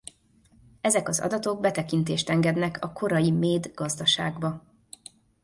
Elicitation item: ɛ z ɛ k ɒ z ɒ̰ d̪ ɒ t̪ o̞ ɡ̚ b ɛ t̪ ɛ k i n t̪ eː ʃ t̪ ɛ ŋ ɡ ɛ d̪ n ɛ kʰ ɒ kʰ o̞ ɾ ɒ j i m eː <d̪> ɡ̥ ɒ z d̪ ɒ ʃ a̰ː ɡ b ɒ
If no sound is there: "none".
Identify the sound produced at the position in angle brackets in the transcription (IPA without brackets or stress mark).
d̪